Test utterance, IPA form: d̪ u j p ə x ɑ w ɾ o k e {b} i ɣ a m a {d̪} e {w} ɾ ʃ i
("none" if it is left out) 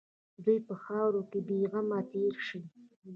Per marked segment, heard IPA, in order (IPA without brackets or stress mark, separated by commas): b, t̪, none